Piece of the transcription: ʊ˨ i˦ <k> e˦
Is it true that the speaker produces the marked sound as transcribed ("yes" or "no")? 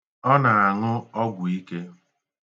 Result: yes